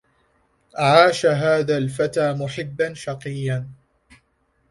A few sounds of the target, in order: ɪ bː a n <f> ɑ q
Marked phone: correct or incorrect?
incorrect